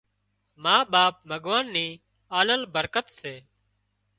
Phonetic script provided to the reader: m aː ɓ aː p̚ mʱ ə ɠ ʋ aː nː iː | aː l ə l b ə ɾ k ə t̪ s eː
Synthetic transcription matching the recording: m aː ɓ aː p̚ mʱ ə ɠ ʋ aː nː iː | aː l ə l b ə ɾ k ə t̪ s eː

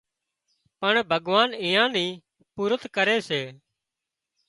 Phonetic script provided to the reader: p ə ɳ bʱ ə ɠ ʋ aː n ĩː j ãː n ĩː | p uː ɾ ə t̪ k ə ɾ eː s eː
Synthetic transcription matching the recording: p ə ɳ bʱ ə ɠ ʋ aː n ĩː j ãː n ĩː | p uː ɾ ə t̪ k ə ɾ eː s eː

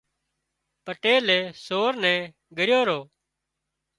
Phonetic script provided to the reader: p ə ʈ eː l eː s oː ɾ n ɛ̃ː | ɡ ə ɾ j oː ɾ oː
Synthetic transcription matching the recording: p ə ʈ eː l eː s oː ɾ n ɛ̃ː | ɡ ə ɾ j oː ɾ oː

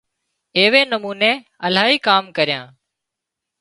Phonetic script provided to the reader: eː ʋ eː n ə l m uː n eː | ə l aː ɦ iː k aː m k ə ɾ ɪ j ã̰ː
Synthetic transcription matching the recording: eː ʋ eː n ə m uː n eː | ə l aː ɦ iː k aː m k ə ɾ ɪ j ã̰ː

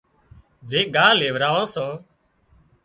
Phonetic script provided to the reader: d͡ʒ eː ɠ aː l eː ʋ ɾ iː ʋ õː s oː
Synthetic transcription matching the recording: d͡ʒ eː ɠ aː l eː ʋ ɾ aː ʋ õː s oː

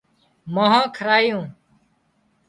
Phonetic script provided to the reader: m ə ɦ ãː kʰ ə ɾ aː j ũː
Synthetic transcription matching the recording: m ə ɦ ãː kʰ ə ɾ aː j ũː

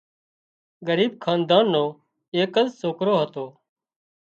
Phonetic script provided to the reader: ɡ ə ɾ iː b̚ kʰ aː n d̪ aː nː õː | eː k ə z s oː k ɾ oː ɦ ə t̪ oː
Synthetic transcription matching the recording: ɡ ə ɾ iː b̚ kʰ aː n d̪ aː nː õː | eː k ə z s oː k ɾ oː ɦ ə t̪ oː

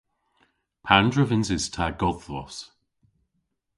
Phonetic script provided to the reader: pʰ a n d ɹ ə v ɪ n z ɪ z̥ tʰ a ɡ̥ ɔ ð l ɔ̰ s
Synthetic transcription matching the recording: pʰ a n d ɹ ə v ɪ n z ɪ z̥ tʰ a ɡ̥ ɔ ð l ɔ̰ s

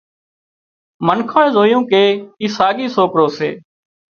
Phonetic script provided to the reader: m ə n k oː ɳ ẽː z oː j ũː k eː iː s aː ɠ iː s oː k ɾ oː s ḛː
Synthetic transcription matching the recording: m ə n kʰ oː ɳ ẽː z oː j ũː k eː iː s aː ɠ iː s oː k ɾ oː s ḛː

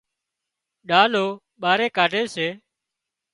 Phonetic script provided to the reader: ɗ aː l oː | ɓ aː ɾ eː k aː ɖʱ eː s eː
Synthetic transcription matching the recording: ɗ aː l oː | ɓ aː ɾ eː k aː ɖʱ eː s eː

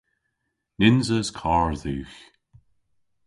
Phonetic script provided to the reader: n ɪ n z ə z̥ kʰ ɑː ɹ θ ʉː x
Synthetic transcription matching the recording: n ɪ n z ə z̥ kʰ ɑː ɹ ð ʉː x

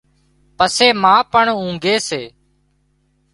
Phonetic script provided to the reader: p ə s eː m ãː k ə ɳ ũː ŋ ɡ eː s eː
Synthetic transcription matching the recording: p ə s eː m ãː p ə ɳ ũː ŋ ɡ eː s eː

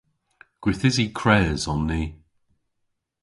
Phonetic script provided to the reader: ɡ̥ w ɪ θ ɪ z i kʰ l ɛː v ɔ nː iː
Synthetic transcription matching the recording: ɡ̥ w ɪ θ ɪ z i kʰ ɹ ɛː z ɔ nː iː

